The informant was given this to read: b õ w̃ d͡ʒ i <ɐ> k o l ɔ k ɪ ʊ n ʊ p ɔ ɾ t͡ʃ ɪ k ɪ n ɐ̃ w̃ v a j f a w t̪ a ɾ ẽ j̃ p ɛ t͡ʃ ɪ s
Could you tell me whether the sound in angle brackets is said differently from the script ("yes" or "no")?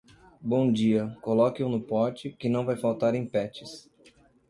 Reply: no